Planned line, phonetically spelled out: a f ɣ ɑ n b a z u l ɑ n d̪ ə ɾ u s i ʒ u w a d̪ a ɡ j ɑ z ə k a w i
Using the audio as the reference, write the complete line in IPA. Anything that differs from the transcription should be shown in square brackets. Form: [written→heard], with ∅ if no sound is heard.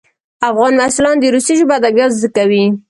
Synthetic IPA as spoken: a f ɣ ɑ n [b→m] a [z→s] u l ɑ n d̪ ə ɾ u s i ʒ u [w→b] a d̪ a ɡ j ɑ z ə k a w i